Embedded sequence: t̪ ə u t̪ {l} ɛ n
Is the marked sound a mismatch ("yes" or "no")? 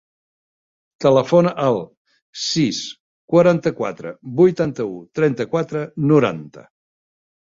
yes